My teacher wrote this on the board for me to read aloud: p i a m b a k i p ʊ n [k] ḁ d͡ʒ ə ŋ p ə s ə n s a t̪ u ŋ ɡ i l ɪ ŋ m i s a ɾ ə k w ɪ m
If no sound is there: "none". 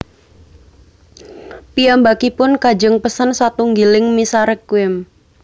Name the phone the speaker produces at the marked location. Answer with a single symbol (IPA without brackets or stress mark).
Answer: k